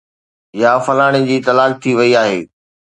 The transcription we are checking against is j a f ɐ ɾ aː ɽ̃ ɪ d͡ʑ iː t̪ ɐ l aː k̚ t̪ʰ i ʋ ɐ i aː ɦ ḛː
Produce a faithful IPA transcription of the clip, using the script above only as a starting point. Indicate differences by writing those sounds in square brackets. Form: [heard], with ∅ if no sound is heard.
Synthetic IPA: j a f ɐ [l] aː ɽ̃ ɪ d͡ʑ iː t̪ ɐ l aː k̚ t̪ʰ i ʋ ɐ i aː ɦ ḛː